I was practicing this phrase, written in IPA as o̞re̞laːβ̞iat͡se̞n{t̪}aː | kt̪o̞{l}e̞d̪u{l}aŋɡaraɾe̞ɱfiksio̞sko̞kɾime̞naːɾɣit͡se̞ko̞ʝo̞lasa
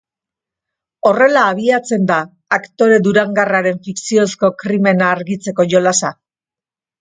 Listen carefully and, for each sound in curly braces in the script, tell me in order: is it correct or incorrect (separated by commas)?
incorrect, incorrect, incorrect